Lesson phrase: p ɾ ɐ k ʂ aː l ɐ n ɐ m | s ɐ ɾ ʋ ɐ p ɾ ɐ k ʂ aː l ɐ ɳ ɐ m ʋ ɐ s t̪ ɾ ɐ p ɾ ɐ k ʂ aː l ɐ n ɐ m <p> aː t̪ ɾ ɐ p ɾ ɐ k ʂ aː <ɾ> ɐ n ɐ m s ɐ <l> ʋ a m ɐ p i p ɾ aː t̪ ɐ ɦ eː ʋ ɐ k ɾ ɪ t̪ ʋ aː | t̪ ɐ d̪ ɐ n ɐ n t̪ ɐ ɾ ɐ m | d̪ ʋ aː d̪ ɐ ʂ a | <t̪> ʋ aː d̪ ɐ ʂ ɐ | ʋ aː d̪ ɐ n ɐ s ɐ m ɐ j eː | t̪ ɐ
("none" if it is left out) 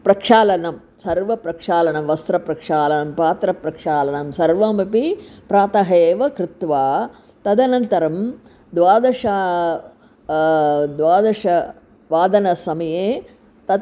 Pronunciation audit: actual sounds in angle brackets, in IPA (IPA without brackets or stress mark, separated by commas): p, l, ɾ, d̪